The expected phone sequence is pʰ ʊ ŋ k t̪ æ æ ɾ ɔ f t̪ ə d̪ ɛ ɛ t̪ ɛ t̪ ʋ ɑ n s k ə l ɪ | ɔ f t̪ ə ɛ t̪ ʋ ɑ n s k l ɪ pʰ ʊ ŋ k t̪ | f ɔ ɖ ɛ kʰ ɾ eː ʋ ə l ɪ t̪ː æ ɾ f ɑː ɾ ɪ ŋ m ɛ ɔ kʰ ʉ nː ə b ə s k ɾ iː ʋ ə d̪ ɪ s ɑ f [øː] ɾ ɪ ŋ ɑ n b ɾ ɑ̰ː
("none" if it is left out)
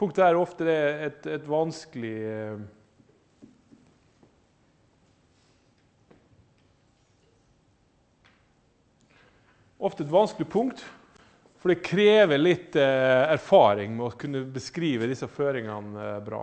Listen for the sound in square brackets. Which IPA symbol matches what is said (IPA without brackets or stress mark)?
øː